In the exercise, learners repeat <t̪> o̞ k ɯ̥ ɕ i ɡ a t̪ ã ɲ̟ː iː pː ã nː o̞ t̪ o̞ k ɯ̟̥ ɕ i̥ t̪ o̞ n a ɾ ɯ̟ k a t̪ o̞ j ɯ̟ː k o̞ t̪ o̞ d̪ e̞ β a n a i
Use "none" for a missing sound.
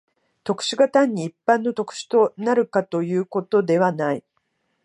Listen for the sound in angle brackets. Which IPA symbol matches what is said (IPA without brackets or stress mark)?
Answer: t̪